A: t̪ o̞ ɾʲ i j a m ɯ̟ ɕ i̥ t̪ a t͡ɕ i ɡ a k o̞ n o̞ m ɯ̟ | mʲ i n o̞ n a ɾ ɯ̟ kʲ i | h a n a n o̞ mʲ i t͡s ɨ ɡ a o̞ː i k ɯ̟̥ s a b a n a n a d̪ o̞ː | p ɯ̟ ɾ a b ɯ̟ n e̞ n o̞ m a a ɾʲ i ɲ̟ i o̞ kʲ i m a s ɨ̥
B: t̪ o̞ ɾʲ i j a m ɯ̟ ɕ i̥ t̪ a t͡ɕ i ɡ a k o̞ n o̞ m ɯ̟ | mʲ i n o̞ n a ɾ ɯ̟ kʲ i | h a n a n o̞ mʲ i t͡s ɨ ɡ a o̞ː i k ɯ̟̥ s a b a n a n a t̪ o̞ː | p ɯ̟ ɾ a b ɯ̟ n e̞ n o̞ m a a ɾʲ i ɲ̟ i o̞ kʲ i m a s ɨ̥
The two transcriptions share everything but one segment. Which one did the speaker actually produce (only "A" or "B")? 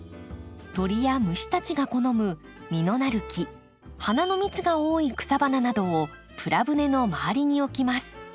A